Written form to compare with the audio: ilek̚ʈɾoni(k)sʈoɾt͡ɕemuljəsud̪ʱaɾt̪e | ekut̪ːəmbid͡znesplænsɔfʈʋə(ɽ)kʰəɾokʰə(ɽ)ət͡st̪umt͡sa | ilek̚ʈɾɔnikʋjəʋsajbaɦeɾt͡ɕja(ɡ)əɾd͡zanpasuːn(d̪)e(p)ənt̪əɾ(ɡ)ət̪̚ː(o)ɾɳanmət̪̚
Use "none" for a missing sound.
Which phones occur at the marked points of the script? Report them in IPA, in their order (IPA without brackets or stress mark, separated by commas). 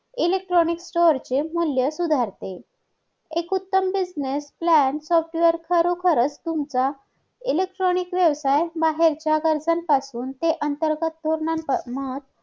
k, ɾ, ɾ, ɡ, t̪, ʔ, ɡ, o